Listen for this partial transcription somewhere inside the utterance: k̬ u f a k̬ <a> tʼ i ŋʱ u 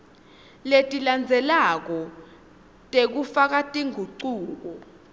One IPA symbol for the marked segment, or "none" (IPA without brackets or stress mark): a